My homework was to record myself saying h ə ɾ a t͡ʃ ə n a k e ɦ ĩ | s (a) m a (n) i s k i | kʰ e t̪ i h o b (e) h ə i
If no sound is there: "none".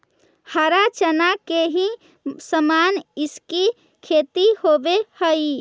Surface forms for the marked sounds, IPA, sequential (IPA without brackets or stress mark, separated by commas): ə, n, e